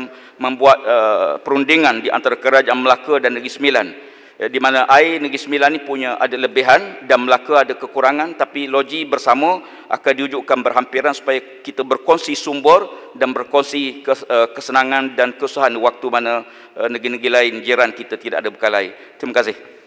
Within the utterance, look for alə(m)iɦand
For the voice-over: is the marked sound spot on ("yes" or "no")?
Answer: no